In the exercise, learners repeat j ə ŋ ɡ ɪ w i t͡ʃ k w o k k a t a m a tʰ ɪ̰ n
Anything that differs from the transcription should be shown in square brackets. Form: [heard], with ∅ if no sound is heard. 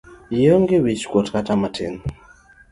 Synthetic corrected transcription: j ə ŋ ɡ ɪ w i t͡ʃ k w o [t] k a t a m a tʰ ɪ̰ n